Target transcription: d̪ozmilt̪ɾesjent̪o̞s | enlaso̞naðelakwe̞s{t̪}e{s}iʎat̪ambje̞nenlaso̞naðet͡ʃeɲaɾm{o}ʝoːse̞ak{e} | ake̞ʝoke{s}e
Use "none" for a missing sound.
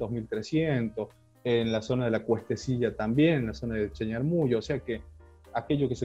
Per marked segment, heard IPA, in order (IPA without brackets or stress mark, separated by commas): t̪, s, u, e, s